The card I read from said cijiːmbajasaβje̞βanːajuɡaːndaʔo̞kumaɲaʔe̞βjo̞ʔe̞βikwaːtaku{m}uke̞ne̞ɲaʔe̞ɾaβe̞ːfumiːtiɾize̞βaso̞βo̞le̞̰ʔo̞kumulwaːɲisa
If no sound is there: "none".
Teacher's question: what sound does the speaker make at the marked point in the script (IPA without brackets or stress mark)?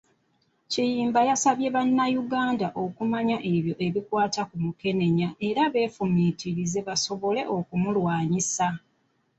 m